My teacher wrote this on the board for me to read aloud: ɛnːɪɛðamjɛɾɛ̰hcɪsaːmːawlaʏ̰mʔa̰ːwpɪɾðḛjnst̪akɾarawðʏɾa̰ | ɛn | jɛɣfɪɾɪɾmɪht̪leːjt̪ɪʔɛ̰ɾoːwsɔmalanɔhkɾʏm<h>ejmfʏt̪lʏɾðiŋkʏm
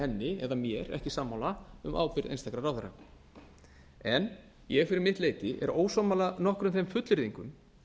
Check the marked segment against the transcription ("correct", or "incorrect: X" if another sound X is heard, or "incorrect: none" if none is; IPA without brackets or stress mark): incorrect: θ